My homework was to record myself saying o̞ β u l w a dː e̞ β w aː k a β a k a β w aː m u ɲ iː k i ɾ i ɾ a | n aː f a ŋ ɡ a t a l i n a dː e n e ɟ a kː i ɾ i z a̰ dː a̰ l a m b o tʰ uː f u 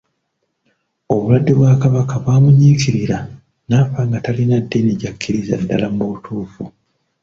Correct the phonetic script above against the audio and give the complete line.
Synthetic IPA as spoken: o̞ β u l w a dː e̞ β w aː k a β a k a β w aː m u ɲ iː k i ɾ i ɾ a | n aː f a ŋ ɡ a t a l i n a dː e n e ɟ a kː i ɾ i z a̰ dː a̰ l a m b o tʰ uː f u